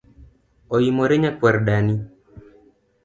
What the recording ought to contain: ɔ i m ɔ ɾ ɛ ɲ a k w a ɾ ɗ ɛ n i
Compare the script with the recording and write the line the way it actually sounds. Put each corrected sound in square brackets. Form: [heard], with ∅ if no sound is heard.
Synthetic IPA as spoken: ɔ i m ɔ ɾ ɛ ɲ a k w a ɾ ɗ [a] n i